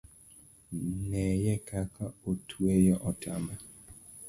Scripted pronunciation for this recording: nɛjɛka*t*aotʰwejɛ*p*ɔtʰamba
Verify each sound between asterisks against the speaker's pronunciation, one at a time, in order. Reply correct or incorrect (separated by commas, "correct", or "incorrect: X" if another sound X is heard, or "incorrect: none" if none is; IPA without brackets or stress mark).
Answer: incorrect: k, incorrect: ʔ